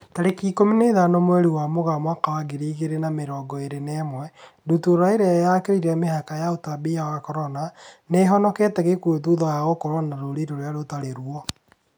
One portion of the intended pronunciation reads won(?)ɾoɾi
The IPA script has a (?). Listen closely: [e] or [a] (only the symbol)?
a